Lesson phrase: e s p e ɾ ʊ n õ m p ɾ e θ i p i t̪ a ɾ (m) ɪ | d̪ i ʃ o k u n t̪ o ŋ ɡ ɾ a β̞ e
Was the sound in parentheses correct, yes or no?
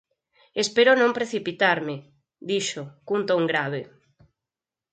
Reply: yes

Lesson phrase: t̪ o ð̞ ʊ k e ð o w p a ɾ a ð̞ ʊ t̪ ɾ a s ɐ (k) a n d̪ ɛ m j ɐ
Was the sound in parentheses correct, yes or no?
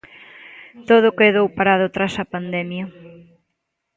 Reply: no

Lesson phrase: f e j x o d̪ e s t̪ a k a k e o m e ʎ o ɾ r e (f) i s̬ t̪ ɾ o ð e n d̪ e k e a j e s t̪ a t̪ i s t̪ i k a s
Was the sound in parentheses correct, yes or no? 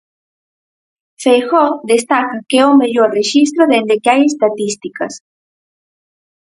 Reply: no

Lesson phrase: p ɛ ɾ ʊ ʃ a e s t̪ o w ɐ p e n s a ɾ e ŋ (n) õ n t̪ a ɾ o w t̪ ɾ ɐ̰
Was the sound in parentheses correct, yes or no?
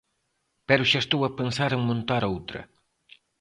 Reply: no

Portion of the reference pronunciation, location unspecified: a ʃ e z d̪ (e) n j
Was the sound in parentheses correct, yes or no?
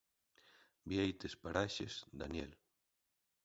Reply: no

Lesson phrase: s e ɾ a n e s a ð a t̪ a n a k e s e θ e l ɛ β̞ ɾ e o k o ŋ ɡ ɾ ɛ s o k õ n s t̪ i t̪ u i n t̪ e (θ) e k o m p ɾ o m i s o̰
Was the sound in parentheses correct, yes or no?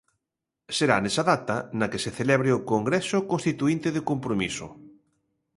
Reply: no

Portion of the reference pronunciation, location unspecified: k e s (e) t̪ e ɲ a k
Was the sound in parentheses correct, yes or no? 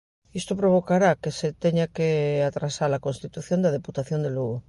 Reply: yes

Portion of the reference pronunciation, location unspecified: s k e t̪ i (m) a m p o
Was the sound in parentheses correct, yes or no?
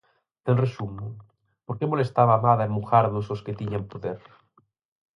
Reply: no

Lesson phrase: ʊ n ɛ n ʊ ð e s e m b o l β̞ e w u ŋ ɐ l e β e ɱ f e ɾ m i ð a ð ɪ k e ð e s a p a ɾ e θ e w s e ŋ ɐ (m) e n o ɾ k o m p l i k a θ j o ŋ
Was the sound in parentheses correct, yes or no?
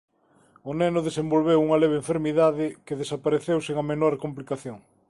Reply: yes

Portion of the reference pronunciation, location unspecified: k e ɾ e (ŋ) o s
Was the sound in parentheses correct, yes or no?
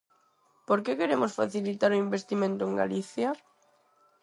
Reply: no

